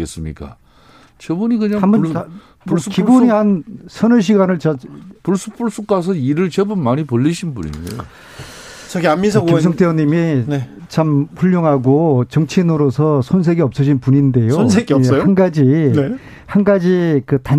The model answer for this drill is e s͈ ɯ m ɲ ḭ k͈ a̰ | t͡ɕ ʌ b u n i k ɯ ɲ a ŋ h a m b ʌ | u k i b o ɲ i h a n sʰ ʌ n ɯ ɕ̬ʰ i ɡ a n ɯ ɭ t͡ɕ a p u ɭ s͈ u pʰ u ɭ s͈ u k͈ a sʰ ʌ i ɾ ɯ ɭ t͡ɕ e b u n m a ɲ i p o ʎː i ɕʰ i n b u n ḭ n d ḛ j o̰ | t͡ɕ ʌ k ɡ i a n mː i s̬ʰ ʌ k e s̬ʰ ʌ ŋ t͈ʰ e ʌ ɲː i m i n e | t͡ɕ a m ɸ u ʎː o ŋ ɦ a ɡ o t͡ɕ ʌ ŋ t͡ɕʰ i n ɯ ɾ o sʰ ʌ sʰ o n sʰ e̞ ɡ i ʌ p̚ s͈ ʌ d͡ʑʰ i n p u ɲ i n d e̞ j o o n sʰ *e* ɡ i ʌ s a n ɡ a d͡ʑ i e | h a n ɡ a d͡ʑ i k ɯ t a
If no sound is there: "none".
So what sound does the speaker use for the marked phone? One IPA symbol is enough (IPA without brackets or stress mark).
e